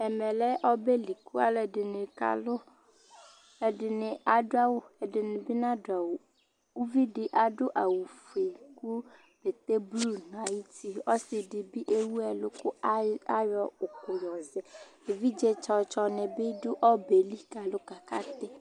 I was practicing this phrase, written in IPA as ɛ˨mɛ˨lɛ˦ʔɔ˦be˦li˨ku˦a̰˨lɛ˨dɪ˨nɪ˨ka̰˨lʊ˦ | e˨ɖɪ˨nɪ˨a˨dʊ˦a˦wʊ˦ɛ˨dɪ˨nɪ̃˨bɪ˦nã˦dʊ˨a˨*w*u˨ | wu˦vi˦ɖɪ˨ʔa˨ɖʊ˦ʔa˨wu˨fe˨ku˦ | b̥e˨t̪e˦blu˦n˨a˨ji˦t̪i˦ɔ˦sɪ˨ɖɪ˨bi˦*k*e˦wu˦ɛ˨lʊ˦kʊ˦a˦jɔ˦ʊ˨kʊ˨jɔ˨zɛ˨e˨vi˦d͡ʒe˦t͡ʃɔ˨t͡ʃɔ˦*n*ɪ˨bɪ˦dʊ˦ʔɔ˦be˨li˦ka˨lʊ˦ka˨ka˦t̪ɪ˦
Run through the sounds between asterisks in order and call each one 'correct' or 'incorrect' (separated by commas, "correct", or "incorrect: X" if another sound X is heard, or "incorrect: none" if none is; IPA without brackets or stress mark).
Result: correct, incorrect: ʔ, correct